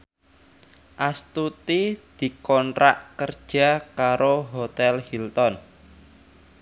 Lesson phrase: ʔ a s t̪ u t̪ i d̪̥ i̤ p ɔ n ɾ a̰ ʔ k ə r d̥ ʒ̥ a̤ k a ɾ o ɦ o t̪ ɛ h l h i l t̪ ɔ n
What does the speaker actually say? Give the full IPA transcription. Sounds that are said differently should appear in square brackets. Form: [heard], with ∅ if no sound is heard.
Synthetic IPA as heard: ʔ a s t̪ u t̪ i d̪̥ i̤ [k] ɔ n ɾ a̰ ʔ k ə r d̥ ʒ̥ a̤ k a ɾ o ɦ o t̪ ɛ [∅] l h i l t̪ ɔ n